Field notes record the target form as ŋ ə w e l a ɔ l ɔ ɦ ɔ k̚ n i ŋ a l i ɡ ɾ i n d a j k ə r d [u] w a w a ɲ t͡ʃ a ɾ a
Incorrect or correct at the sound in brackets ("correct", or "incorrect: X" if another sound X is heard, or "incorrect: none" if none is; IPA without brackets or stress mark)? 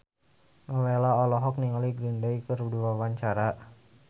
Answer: correct